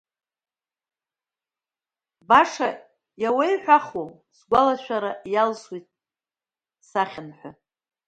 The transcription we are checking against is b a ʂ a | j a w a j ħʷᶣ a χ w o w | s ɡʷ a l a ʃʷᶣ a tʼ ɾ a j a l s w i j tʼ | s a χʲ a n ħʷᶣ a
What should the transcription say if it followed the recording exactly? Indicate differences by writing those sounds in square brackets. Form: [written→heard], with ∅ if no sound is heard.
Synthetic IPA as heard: b a ʂ a | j a w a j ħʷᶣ a χ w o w | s ɡʷ a l a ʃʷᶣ a [tʼ→∅] ɾ a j a l s w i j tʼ | s a χʲ a n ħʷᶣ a